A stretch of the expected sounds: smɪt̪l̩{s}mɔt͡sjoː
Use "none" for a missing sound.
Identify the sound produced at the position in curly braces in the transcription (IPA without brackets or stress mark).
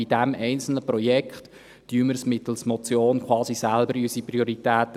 s